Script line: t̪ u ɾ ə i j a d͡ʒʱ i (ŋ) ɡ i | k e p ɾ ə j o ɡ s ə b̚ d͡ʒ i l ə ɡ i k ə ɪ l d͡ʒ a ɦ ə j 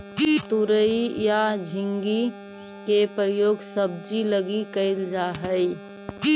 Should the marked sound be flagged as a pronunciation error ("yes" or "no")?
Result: no